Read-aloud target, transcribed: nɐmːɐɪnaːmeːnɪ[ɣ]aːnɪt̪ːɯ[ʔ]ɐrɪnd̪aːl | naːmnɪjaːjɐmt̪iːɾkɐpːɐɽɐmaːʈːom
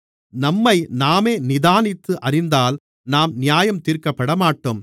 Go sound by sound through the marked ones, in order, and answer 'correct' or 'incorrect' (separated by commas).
incorrect, correct